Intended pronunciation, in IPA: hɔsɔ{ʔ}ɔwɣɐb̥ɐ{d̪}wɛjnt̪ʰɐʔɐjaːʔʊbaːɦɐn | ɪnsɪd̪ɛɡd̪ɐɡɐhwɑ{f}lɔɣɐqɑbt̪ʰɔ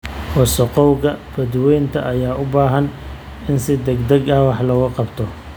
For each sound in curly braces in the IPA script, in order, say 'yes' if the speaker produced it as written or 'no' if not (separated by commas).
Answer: no, yes, no